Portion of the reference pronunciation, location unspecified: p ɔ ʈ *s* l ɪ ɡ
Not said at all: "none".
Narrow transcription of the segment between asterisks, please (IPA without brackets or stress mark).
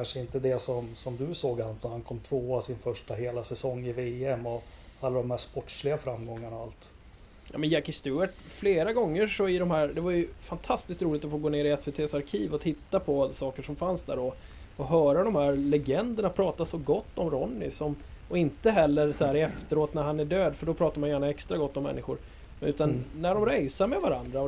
ʂ